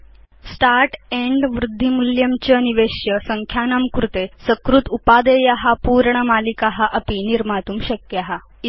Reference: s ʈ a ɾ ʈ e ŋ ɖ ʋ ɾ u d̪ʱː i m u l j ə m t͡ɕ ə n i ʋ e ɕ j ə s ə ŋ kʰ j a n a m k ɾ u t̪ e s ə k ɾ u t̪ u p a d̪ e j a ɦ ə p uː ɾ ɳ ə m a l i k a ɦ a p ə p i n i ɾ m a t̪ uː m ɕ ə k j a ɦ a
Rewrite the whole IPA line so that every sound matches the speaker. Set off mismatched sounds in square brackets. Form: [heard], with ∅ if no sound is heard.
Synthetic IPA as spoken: s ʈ a ɾ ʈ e [ɳ] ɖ ʋ ɾ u d̪ʱː i m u l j ə m t͡ɕ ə n i ʋ e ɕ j ə s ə ŋ kʰ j a n a m k ɾ u t̪ e s ə k ɾ u t̪ u p a d̪ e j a ɦ [a] p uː ɾ ɳ ə m a l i k a ɦ a [ʔ] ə p i n i ɾ m a t̪ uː m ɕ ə k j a ɦ a